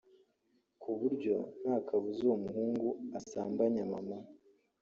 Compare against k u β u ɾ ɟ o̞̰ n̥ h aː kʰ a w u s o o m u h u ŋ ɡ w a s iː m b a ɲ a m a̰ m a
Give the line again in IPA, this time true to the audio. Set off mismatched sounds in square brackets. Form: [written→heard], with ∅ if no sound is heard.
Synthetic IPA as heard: k u β u ɾ ɟ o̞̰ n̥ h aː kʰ a [w→β] u [s→z] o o m u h [u→uː] ŋ ɡ [w→u] a s [iː→aː] m b a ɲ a m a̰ m a